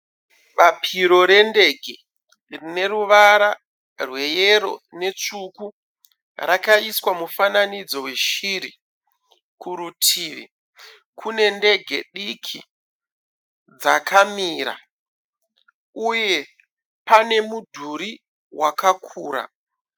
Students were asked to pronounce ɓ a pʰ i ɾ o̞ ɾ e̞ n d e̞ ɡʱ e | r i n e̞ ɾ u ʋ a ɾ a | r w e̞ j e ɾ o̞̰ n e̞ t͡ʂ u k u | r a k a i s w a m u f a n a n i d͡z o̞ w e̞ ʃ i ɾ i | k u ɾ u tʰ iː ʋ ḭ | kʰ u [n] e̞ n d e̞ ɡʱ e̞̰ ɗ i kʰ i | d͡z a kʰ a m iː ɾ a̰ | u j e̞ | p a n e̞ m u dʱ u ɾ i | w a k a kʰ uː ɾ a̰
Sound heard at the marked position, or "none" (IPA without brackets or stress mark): n